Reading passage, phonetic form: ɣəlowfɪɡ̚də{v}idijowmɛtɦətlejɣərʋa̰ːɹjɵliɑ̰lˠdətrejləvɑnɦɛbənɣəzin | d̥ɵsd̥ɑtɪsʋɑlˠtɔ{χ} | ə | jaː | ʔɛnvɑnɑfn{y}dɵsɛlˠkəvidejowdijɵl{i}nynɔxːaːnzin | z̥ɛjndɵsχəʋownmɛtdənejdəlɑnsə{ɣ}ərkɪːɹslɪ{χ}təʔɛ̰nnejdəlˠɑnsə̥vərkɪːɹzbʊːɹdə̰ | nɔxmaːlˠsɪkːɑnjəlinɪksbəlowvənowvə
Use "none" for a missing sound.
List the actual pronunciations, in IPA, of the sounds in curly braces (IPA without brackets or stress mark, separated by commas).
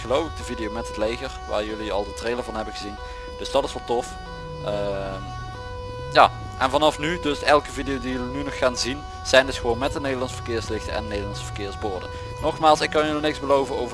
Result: v, f, y, i, v, x